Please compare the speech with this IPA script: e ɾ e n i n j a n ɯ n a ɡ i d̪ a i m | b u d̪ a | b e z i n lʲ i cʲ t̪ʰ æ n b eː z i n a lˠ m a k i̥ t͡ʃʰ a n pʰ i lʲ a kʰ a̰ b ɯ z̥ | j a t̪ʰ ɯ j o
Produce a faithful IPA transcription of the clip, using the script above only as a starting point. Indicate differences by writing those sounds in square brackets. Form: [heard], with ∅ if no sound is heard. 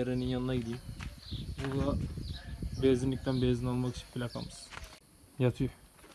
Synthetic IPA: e ɾ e n i n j a n ɯ n a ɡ i d̪ [i] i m | b u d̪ a | b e z i n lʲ i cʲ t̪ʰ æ n b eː z i n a lˠ m a k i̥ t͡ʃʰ [i] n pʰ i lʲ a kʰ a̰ [m] ɯ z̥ | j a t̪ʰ ɯ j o